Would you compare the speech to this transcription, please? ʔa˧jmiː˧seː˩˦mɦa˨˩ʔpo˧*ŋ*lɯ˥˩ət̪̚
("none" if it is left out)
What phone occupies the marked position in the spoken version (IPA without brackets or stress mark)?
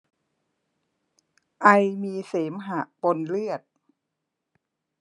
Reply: n